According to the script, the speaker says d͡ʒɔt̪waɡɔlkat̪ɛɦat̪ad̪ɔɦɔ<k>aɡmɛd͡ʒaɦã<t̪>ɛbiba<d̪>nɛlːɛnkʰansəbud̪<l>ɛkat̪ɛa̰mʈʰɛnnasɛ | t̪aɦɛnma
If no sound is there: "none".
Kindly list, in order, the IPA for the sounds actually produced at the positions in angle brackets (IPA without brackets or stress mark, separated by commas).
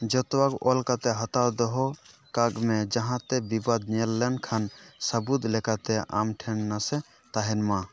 k, t̪, d̪, l